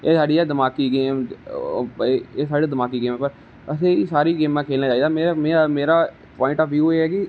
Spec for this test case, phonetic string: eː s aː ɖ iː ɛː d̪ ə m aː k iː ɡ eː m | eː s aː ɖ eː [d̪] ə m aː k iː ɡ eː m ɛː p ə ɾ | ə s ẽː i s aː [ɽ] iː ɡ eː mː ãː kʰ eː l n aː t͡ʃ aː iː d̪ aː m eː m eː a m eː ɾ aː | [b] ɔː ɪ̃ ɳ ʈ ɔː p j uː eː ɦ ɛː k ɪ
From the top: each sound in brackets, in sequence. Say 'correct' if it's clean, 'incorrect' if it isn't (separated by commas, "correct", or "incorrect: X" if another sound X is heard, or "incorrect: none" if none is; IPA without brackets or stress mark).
correct, incorrect: ɾ, incorrect: p